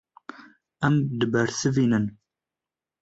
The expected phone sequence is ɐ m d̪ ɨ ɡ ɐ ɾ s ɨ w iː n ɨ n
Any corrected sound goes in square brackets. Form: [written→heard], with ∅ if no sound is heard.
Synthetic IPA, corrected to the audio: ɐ m d̪ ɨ [ɡ→b] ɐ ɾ s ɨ [w→v] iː n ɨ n